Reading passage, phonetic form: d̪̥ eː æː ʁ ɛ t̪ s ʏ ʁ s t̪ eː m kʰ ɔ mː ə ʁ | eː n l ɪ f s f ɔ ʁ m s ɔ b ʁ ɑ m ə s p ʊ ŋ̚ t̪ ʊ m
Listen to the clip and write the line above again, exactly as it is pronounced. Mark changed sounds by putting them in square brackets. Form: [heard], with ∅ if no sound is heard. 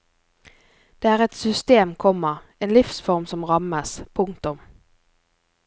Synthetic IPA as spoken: d̪̥ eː æː ʁ ɛ t̪ s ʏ [∅] s t̪ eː m kʰ ɔ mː ə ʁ | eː n l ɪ f s f ɔ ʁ m s ɔ [m] ʁ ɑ m ə s [pʰ] ʊ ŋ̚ t̪ ʊ m